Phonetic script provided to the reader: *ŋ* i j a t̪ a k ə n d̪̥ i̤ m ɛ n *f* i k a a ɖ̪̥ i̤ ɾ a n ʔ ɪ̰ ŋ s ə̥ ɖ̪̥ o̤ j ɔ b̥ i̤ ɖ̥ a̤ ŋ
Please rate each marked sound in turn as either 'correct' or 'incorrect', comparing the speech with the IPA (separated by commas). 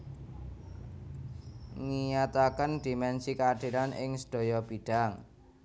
correct, incorrect